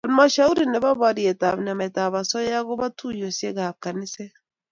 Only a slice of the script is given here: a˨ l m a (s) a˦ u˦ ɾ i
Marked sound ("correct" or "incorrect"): incorrect